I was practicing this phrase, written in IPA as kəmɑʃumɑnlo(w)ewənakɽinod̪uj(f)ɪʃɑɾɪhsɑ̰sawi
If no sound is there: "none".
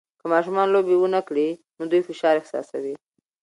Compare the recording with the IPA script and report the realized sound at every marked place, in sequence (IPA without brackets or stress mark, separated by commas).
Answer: b, f